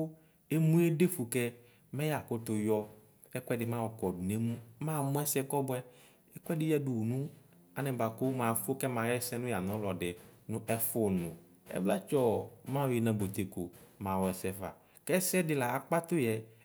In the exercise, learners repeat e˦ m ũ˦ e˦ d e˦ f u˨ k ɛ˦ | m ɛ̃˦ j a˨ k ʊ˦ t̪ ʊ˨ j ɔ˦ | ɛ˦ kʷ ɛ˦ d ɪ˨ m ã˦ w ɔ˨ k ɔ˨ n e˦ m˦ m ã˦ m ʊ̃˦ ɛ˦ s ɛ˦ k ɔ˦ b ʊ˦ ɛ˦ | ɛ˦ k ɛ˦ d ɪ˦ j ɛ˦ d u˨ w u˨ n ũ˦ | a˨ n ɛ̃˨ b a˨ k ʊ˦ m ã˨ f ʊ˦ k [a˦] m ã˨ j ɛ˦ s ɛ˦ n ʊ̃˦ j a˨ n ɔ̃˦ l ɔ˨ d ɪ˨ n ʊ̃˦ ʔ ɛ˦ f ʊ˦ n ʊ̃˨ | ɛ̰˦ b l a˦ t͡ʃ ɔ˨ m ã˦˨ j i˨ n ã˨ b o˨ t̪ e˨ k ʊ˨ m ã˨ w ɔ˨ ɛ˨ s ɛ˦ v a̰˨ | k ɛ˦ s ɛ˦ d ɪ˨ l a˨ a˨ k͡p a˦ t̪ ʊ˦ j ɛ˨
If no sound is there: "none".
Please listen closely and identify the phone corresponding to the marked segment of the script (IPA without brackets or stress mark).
ɛ˦